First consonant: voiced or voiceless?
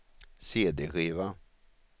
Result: voiceless